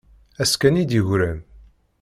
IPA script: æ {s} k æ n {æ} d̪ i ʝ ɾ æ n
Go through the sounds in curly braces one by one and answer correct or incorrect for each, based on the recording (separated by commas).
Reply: correct, incorrect